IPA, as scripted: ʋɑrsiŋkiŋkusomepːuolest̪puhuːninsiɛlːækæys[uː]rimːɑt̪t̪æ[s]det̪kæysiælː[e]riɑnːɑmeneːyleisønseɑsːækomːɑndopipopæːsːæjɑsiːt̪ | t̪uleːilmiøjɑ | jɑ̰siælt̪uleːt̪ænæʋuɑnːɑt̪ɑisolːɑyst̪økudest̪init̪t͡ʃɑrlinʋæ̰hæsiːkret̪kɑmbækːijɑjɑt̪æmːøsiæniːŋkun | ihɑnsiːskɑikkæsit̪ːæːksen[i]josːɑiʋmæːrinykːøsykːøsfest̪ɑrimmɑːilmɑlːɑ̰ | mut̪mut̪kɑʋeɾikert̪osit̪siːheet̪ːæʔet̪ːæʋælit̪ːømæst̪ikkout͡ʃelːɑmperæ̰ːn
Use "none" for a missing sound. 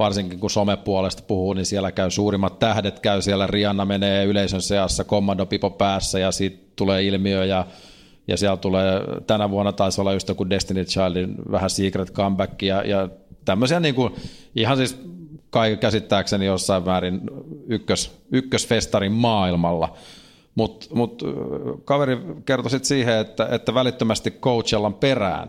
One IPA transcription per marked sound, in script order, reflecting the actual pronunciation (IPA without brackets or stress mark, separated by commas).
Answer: uː, h, æ, i